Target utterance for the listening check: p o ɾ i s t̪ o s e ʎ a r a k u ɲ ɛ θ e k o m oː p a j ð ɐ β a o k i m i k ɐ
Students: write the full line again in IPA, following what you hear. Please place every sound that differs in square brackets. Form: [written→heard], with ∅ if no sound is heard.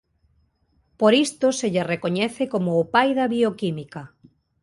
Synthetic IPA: p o ɾ i s t̪ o s e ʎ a r [a→e] k [u→o] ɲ ɛ θ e k o m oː p a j ð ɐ β [a→i] o k i m i k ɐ